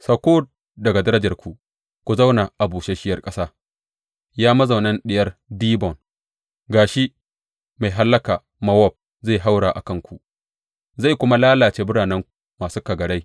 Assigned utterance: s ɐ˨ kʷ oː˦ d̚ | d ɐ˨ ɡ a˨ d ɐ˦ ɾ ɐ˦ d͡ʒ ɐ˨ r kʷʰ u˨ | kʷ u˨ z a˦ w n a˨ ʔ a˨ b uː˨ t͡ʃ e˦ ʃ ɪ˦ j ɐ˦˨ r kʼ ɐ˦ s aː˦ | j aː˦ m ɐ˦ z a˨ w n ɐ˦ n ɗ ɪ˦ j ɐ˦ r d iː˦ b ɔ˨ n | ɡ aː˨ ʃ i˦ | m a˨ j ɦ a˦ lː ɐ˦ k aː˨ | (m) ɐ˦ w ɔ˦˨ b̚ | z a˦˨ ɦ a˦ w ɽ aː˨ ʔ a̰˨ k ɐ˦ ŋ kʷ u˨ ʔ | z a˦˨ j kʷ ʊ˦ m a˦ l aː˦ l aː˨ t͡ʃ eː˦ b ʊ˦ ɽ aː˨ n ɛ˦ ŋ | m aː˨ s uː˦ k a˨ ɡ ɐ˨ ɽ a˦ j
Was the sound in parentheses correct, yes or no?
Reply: yes